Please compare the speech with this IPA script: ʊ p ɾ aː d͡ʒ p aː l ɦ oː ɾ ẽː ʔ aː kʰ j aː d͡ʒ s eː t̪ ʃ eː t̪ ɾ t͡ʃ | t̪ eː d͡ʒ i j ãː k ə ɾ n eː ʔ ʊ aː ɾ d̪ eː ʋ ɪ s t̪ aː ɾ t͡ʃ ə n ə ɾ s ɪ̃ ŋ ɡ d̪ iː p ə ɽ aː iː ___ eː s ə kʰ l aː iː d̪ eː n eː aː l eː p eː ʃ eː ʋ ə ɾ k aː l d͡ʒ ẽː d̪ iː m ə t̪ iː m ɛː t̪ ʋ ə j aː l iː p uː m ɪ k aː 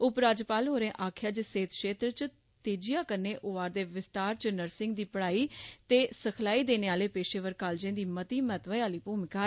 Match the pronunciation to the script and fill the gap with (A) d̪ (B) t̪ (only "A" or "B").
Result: B